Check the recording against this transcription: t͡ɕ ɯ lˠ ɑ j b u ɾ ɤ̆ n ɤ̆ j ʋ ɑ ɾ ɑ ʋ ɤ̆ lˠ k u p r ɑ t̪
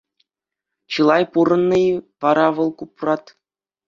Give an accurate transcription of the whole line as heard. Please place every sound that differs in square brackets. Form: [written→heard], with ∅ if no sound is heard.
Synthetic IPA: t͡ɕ ɯ lˠ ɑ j [b→p] u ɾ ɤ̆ [n→nː] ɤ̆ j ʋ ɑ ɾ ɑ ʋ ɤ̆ lˠ k u p r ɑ t̪